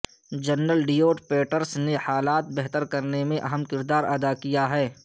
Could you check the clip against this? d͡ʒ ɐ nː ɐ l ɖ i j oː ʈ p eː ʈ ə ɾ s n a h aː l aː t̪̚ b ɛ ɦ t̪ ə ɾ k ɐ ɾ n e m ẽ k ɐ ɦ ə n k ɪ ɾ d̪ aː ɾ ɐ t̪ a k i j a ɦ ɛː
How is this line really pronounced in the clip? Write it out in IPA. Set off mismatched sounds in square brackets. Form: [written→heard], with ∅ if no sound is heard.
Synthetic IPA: d͡ʒ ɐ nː [ɐ→ə] l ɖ i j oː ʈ p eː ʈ ə ɾ s n [a→e] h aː l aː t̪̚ b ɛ ɦ t̪ ə ɾ k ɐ ɾ n e m ẽ [k→ʔ] ɐ ɦ ə [n→m] k ɪ ɾ d̪ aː ɾ ɐ [t̪→d̪] a k i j a ɦ ɛː